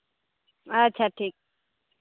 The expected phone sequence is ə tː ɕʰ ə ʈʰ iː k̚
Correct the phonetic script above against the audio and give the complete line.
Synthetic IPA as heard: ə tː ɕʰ a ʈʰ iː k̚